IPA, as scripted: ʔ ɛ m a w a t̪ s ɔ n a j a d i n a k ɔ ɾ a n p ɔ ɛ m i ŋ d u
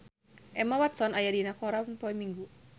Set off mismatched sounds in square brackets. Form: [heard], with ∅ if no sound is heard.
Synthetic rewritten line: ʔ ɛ m a w a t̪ s ɔ n a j a d i n a k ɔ ɾ a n p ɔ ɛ m i ŋ [ɡ] u